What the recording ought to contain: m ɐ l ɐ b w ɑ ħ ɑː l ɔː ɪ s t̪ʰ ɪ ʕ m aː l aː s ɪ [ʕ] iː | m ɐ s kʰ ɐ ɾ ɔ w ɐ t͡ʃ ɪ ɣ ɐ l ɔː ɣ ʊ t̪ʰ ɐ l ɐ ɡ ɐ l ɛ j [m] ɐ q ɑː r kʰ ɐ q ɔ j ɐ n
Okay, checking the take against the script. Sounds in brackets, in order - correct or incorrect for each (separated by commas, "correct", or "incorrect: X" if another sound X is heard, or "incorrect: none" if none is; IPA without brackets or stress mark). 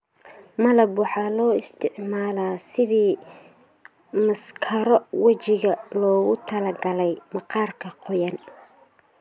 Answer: incorrect: ð, correct